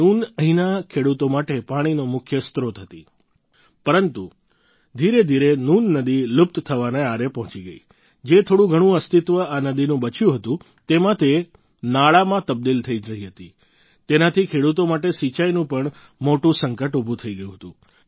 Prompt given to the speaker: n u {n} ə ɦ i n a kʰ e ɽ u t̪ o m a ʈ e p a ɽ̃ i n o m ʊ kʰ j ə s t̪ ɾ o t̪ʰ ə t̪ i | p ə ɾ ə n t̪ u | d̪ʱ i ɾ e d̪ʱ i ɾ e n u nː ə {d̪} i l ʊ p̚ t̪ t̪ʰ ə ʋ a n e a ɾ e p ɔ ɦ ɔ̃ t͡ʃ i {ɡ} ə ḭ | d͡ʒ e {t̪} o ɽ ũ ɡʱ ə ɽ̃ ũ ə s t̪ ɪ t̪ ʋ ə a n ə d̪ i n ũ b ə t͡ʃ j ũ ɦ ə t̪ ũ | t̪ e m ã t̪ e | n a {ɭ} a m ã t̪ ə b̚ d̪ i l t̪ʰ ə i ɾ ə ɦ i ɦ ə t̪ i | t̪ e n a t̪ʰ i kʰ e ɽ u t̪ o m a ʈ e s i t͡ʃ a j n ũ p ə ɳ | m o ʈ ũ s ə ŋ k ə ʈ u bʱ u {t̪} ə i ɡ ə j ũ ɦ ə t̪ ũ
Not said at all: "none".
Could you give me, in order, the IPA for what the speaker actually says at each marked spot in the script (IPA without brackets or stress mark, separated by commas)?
n, d̪, ɡ, t̪ʰ, ɭ, t̪ʰ